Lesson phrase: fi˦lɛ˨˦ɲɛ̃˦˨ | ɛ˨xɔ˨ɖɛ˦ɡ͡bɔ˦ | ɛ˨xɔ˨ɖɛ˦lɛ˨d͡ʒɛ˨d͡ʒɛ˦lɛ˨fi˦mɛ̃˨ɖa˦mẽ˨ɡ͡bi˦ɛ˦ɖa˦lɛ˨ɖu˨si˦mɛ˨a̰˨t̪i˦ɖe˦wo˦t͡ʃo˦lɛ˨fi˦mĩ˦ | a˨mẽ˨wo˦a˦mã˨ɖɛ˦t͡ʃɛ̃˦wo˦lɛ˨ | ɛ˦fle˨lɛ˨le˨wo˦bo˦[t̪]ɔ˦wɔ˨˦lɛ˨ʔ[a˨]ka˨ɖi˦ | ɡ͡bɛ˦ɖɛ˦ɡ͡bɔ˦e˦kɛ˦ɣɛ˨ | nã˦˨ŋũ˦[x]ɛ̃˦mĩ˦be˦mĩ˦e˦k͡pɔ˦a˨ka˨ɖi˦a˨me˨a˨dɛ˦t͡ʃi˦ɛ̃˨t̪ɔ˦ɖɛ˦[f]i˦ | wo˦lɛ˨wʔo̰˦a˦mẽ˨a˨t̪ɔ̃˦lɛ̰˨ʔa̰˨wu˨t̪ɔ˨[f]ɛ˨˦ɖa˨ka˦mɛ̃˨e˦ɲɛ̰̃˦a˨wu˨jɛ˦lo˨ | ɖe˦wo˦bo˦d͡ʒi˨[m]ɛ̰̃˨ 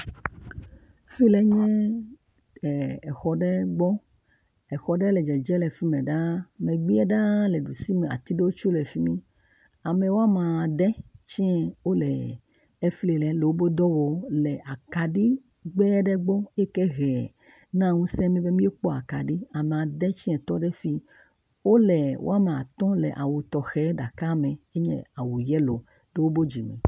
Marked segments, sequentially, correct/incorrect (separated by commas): incorrect, correct, incorrect, correct, incorrect, correct